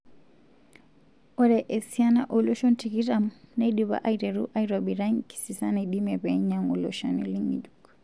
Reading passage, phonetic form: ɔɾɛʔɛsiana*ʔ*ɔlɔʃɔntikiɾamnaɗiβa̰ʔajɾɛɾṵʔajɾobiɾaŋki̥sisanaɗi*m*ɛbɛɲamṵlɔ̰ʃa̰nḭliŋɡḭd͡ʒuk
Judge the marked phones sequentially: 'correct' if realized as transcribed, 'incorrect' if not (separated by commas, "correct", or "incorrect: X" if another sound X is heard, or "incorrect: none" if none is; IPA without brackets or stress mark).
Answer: correct, correct